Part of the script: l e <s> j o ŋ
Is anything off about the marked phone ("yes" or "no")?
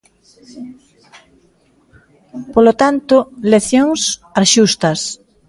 yes